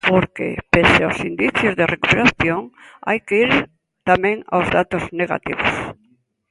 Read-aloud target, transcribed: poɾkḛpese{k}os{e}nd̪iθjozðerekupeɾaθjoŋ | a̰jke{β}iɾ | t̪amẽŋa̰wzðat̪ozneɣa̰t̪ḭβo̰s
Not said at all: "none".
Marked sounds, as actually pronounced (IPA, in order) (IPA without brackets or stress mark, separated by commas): none, i, none